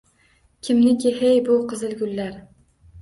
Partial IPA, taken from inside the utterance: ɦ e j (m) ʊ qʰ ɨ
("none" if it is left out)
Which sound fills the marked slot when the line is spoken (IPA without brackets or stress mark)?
b